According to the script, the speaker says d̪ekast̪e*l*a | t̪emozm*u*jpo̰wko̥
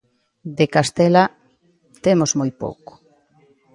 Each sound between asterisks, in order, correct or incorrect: correct, incorrect: o

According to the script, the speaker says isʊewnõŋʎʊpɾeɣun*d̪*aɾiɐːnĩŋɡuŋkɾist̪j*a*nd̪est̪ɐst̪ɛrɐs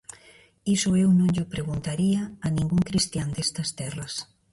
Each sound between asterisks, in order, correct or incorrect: incorrect: t̪, correct

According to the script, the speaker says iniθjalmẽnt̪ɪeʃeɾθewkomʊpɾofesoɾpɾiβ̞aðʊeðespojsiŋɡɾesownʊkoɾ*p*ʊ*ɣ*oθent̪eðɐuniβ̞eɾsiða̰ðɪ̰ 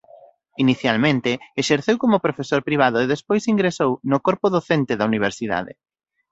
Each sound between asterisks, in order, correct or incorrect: correct, incorrect: ð

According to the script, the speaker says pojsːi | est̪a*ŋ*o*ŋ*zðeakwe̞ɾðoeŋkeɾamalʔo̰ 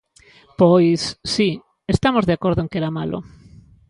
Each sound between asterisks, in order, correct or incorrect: incorrect: m, incorrect: none

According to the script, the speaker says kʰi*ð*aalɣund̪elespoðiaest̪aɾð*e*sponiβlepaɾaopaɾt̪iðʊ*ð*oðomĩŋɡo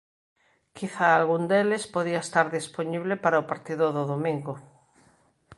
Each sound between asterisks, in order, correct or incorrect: incorrect: θ, incorrect: i, correct

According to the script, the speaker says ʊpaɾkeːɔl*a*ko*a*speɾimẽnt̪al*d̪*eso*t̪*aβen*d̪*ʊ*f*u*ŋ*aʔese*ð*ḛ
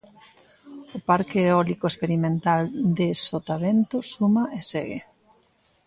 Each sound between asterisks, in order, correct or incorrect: incorrect: i, incorrect: e, correct, correct, incorrect: t̪, incorrect: s, incorrect: m, incorrect: ɣ

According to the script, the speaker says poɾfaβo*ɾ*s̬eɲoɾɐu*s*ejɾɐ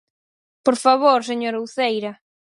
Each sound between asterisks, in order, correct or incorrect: correct, incorrect: θ

